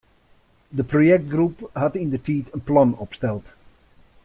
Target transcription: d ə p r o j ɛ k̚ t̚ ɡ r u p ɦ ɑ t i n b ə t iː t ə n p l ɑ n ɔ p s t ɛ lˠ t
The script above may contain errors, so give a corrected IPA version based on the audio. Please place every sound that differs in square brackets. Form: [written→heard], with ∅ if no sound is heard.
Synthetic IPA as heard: d ə p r o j ɛ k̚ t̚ ɡ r u p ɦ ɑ t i n [b→d] ə t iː t ə n p l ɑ n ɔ p s t ɛ lˠ t